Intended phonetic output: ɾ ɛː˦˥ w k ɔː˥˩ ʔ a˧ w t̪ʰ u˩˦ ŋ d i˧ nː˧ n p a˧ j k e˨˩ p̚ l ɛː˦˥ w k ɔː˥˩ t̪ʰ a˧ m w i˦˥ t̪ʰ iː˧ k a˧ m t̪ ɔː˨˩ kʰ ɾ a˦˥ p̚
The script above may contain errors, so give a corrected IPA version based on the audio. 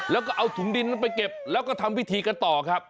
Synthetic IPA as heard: l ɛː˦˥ w k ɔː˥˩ ʔ a˧ w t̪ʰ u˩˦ ŋ d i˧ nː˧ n p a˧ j k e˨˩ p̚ l ɛː˦˥ w k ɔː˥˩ t̪ʰ a˧ m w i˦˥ t̪ʰ iː˧ k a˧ n t̪ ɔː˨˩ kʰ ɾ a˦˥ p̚